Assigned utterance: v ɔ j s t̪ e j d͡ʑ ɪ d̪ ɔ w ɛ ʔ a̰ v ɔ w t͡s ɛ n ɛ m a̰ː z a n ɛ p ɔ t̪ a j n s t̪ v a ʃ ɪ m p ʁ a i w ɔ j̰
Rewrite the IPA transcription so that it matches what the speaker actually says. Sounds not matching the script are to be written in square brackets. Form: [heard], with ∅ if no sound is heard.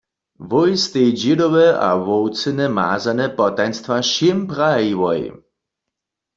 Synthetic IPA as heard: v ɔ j s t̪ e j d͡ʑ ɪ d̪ ɔ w ɛ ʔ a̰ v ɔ w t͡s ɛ n ɛ m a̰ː z a n ɛ p ɔ t̪ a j n s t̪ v a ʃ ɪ m p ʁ a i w ɔ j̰